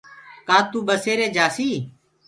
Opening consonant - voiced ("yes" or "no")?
no